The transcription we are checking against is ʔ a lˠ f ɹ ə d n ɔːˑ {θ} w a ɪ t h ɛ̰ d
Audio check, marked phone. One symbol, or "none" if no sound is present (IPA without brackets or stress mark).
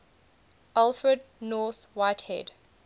θ